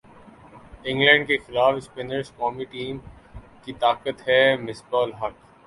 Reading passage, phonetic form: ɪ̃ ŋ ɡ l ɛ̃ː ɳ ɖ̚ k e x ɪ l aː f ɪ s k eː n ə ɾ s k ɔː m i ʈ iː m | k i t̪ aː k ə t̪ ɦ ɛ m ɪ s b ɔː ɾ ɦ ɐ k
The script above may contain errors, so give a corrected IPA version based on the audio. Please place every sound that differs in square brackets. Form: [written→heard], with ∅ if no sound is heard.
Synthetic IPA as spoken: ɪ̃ ŋ ɡ l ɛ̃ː ɳ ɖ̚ k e x ɪ l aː f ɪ s [k→p] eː n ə ɾ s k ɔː m i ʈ iː m | k i t̪ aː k ə t̪ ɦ ɛ m ɪ s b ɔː [ɾ→l] ɦ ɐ k